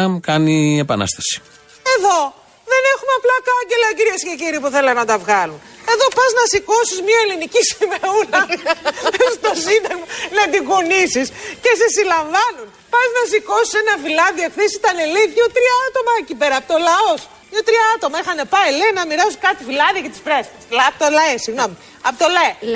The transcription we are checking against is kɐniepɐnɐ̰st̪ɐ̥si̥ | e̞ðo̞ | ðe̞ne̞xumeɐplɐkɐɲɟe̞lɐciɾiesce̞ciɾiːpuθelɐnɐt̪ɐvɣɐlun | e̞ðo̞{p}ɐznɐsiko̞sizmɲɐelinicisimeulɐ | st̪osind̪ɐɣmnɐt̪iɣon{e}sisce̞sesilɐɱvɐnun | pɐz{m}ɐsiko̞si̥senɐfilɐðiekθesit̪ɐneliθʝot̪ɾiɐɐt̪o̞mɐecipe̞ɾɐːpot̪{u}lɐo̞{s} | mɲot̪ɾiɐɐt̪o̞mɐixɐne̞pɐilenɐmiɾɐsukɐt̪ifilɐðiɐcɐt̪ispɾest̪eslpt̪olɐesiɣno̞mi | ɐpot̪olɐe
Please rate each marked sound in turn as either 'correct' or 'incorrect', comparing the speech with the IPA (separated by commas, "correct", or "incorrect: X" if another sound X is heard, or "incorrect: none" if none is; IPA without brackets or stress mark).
correct, incorrect: i, incorrect: n, incorrect: o, correct